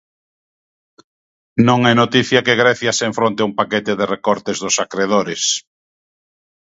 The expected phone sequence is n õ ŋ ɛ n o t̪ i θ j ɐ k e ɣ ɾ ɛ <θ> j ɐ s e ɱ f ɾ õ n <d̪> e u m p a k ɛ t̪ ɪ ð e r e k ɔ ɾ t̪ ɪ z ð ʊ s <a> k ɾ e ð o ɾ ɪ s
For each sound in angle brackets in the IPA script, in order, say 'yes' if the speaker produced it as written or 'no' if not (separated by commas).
yes, no, yes